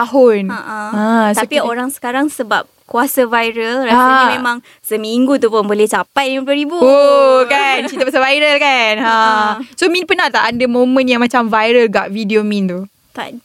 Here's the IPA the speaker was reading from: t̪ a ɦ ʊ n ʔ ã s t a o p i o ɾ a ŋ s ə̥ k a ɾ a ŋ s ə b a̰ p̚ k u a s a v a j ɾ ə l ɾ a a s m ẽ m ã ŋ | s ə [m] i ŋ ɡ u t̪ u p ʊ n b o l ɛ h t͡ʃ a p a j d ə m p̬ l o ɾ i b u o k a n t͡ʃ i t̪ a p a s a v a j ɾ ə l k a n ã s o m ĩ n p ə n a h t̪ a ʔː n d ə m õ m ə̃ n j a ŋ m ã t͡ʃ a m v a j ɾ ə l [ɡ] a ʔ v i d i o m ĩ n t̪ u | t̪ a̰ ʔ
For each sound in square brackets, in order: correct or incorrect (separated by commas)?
correct, correct